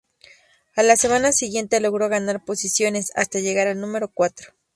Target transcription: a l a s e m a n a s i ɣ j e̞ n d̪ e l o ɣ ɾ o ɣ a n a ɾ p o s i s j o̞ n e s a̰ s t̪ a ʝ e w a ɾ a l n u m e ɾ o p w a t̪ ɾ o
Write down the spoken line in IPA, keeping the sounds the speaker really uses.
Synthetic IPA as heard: a l a s e m a n a s i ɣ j e̞ n t̪ e l o ɣ ɾ o ɣ a n a ɾ p o s i s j o̞ n e s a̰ s t̪ a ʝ e ɣ a ɾ a l n u m e ɾ o k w a t̪ ɾ o